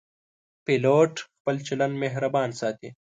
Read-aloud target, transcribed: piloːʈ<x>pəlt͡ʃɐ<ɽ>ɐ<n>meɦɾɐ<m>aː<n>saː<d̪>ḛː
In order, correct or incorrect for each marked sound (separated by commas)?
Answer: correct, incorrect, correct, incorrect, correct, incorrect